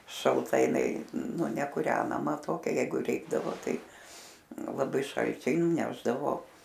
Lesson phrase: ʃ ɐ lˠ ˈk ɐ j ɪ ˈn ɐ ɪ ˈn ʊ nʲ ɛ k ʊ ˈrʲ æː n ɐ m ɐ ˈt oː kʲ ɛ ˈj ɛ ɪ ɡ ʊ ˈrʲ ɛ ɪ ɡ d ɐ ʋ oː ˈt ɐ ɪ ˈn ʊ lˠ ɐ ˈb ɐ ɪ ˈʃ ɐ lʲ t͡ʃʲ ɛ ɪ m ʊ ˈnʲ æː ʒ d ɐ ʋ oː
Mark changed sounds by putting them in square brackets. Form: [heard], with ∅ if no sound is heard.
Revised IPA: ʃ ɐ lˠ [ˈt] ɐ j ɪ ˈn ɐ ɪ ˈn ʊ nʲ ɛ k ʊ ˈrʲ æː n ɐ m ɐ ˈt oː kʲ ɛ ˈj ɛ ɪ ɡ ʊ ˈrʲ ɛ ɪ ɡ d ɐ ʋ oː ˈt ɐ ɪ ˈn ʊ lˠ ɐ ˈb ɐ ɪ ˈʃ ɐ lʲ t͡ʃʲ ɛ ɪ [n] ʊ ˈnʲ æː ʒ d ɐ ʋ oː

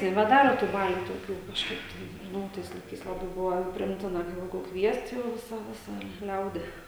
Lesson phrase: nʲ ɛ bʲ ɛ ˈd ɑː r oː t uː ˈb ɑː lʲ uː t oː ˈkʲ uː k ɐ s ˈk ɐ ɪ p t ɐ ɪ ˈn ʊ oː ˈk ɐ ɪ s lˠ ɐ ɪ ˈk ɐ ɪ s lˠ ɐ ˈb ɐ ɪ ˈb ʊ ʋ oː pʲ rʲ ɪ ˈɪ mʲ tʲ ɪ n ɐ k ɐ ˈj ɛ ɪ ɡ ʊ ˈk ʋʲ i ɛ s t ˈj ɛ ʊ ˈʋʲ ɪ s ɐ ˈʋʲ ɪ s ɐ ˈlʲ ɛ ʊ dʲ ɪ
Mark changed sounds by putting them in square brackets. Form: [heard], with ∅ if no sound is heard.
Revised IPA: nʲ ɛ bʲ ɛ ˈd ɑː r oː t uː ˈb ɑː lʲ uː t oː ˈkʲ uː k ɐ [ʃ] ˈk ɐ ɪ p t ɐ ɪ ˈn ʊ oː [ˈt] ɐ ɪ s lˠ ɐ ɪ ˈk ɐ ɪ s lˠ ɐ ˈb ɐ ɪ ˈb ʊ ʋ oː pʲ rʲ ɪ ˈɪ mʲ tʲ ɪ n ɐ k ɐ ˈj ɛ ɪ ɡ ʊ ˈk ʋʲ i ɛ s t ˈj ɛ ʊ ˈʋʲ ɪ s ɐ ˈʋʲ ɪ s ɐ ˈlʲ ɛ ʊ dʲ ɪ

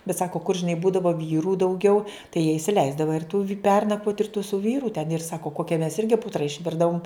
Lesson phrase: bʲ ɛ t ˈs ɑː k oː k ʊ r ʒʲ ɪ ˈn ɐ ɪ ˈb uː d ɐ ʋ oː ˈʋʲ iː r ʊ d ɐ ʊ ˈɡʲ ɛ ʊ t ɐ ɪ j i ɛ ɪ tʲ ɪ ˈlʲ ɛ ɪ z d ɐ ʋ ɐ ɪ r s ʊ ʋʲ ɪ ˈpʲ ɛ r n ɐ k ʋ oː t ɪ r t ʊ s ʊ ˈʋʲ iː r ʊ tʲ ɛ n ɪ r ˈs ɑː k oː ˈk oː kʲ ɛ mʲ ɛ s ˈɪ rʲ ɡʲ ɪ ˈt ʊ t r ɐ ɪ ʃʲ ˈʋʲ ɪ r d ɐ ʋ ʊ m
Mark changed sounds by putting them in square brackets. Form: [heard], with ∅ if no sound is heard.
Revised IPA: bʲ ɛ t ˈs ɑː k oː k ʊ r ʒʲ ɪ ˈn ɐ ɪ ˈb uː d ɐ ʋ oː ˈʋʲ iː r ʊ d ɐ ʊ ˈɡʲ ɛ ʊ t ɐ ɪ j i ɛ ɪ [sʲ] ɪ ˈlʲ ɛ ɪ z d ɐ ʋ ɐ ɪ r [t] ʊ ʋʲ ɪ ˈpʲ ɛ r n ɐ k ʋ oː t ɪ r t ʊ s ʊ ˈʋʲ iː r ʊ tʲ ɛ n ɪ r ˈs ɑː k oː ˈk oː kʲ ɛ mʲ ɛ s ˈɪ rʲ ɡʲ ɪ [ˈp] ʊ t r ɐ ɪ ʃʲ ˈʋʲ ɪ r d ɐ ʋ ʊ m

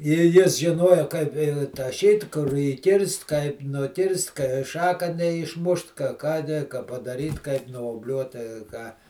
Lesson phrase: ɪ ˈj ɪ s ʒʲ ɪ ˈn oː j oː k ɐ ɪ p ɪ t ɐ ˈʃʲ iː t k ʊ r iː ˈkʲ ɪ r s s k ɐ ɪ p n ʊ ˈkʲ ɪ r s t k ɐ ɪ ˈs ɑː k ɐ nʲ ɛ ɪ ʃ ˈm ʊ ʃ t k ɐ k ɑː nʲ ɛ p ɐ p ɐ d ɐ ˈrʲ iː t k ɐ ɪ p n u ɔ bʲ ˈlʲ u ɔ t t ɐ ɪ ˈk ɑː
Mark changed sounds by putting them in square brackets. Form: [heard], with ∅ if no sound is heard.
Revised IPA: ɪ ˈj ɪ s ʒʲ ɪ ˈn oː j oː k ɐ ɪ p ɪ t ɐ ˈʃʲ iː t k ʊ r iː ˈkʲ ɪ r s [t] k ɐ ɪ p n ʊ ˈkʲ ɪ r s t k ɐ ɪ [ˈʃ] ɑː k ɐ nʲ ɛ ɪ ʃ ˈm ʊ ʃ t k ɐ k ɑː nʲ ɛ [k] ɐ p ɐ d ɐ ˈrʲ iː t k ɐ ɪ p n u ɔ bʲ ˈlʲ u ɔ t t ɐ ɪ ˈk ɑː

